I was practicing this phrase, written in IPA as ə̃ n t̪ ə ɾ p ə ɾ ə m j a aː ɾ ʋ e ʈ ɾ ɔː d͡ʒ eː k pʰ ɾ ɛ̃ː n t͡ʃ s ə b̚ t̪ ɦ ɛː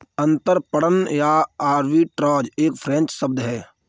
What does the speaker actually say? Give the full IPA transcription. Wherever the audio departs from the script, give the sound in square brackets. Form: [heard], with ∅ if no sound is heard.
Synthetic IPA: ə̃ n t̪ ə ɾ p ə [ɽ] ə [n] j a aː ɾ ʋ [i] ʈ ɾ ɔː d͡ʒ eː k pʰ ɾ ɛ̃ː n t͡ʃ s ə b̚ [d̪] ɦ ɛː